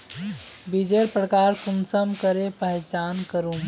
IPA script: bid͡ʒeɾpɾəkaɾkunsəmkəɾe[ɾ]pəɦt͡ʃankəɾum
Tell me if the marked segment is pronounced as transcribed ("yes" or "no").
no